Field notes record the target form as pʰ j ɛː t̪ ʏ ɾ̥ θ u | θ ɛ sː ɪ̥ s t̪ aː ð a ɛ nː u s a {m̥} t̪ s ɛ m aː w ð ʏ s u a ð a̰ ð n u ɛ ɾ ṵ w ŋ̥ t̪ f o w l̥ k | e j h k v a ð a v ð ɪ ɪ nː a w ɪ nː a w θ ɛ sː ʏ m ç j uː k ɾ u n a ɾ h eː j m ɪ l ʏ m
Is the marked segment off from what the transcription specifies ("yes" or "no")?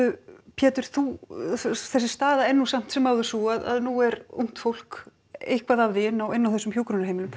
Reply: no